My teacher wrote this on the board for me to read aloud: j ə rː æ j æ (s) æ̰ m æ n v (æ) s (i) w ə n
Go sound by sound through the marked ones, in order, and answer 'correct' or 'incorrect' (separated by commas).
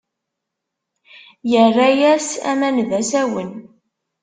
correct, correct, incorrect